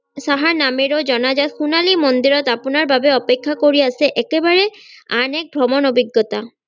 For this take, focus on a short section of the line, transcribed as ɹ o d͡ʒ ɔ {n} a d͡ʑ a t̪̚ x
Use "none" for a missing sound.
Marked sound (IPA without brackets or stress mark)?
n